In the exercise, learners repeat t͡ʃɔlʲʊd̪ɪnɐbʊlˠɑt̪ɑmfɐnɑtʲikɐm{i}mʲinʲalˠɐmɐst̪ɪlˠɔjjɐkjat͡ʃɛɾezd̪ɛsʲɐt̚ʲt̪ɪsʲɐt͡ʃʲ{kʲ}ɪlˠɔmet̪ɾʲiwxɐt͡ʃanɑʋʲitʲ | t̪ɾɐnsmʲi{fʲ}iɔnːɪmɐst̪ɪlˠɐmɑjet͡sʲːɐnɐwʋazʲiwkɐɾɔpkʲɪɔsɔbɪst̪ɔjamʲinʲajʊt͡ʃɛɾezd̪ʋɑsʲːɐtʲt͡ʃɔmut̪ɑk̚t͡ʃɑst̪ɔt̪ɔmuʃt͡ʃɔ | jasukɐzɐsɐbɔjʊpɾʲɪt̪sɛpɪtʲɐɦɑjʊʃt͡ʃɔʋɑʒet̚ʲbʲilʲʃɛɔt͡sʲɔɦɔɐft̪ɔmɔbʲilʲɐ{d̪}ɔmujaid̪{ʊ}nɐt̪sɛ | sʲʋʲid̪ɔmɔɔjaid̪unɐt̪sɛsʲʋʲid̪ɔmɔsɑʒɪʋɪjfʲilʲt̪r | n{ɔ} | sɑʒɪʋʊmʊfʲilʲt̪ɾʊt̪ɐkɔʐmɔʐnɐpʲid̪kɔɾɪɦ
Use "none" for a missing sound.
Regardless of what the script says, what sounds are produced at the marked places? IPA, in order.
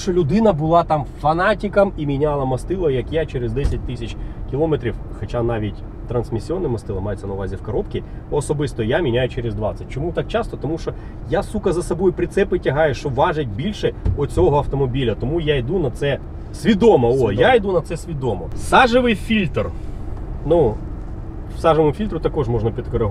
i, kʲ, sʲ, t̪, u, u

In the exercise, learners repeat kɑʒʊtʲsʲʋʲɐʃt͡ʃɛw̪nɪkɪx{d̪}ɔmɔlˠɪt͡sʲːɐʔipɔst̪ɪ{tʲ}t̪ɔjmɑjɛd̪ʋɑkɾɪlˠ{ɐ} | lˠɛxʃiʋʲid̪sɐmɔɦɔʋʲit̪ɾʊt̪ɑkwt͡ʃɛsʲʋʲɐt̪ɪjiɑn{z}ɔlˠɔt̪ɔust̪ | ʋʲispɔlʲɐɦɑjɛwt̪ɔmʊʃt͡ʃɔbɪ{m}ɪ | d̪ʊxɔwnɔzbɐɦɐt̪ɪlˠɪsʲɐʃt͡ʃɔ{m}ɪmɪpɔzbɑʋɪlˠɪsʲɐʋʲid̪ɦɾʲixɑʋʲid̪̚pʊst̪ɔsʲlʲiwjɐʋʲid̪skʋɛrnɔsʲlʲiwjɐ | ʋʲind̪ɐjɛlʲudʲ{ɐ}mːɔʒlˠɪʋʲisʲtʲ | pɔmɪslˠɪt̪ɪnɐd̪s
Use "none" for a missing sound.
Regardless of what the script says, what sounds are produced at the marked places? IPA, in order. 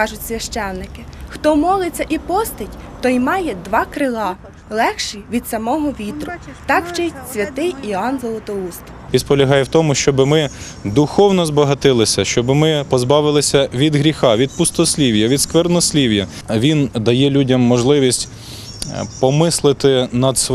t̪, tʲ, ɑ, z, m, b, ɐ

